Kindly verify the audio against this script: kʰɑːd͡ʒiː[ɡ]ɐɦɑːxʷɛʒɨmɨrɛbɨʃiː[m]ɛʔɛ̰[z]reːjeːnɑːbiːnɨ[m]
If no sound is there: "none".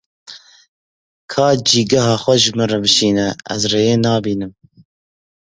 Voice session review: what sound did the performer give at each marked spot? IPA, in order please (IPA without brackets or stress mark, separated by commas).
ɡ, n, z, m